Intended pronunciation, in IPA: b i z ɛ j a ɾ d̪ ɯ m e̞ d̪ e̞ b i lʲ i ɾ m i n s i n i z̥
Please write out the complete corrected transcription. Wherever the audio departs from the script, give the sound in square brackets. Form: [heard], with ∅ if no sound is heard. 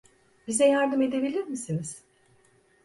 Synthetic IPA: b i z ɛ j a ɾ d̪ ɯ m e̞ d̪ e̞ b i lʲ i ɾ m i [∅] s i n i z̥